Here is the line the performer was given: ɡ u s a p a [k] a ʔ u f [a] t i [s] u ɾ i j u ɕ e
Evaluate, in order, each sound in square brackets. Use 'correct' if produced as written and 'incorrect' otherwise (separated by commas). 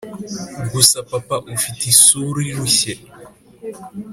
incorrect, incorrect, correct